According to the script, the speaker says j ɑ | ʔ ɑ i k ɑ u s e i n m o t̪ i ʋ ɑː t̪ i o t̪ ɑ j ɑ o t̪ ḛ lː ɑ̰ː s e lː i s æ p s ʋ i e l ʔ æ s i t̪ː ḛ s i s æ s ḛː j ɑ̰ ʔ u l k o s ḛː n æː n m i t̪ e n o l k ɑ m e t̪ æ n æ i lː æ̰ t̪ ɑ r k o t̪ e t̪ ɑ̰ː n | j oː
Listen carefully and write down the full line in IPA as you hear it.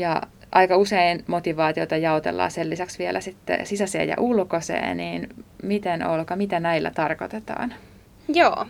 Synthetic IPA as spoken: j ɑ | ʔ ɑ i k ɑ u s e i n m o t̪ i ʋ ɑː t̪ i o t̪ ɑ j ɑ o t̪ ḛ lː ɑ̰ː s e lː i s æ k s ʋ i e l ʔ æ s i t̪ː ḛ s i s æ s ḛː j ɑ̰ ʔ u l k o s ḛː n iː n m i t̪ e n o l k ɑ m i t̪ æ n æ i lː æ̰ t̪ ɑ r k o t̪ e t̪ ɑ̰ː n | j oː